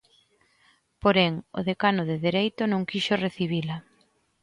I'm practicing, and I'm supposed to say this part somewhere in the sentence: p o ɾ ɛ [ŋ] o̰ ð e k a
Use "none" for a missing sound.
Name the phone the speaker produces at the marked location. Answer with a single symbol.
ŋ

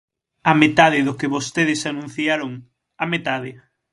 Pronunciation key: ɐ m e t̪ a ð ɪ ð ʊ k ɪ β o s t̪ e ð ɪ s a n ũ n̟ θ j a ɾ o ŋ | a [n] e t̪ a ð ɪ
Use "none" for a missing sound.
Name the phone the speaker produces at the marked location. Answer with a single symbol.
m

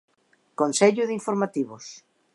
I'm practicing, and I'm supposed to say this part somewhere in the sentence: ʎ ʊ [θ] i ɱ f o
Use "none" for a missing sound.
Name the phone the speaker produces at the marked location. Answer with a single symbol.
ð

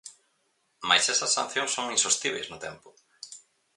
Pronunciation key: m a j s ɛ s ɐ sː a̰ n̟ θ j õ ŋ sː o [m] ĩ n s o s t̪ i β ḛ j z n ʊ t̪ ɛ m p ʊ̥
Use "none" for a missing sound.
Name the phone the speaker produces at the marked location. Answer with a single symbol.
ŋ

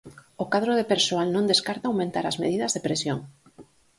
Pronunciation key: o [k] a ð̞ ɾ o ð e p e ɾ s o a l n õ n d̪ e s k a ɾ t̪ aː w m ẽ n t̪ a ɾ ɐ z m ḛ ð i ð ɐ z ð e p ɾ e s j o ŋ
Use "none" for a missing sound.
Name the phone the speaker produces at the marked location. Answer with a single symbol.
k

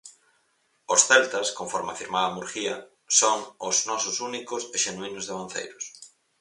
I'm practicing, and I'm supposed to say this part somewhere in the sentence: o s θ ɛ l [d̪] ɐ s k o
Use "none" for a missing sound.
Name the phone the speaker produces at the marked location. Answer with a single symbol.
t̪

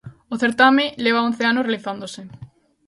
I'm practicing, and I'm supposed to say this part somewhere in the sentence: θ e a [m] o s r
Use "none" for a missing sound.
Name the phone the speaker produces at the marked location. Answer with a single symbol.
n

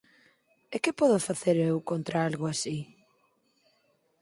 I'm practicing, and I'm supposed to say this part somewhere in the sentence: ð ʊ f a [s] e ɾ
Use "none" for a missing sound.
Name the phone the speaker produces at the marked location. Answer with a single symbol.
θ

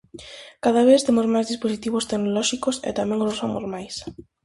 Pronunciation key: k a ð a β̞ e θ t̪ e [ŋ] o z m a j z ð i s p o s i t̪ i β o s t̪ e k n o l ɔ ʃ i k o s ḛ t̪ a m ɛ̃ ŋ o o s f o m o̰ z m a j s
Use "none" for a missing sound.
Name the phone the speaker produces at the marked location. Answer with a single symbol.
m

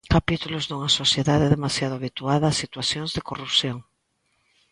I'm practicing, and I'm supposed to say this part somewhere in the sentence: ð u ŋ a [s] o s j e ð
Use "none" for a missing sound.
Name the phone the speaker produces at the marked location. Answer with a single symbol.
s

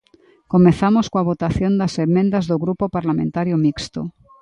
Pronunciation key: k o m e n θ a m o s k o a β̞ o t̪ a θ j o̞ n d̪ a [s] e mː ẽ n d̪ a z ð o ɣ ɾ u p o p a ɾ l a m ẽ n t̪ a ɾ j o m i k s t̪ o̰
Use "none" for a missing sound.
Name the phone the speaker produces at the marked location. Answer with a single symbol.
s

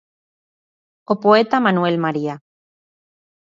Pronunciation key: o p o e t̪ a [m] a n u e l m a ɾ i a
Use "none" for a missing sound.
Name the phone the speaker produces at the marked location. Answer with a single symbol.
m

